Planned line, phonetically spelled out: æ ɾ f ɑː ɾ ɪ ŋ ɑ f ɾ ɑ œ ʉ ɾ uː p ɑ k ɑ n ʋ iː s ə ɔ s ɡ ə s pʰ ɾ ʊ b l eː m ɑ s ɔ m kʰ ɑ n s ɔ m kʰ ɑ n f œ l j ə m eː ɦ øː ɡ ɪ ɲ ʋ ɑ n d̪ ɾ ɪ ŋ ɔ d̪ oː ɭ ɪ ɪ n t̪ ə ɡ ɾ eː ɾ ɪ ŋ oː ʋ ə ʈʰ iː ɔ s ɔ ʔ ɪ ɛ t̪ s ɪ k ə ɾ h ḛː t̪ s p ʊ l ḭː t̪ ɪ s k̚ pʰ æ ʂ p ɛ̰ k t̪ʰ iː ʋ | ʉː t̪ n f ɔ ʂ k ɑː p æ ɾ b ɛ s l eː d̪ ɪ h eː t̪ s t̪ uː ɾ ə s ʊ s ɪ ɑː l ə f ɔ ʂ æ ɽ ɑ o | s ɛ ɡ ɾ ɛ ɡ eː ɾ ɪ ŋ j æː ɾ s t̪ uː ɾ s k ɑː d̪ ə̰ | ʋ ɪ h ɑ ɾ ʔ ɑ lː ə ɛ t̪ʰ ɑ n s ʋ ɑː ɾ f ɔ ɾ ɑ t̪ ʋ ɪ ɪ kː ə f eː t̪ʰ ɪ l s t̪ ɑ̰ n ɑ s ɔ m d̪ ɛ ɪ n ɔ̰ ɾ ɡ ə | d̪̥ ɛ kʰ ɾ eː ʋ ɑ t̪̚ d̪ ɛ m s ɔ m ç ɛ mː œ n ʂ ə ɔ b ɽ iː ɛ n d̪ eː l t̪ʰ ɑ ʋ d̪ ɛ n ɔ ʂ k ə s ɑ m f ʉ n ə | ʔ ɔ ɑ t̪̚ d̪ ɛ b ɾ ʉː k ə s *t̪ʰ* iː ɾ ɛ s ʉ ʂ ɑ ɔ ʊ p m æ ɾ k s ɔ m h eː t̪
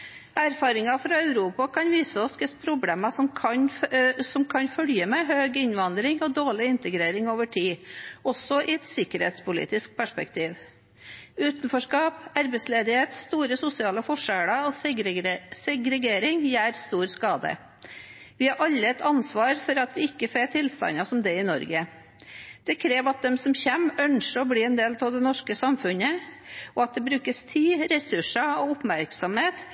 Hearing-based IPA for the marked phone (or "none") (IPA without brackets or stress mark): t̪ʰ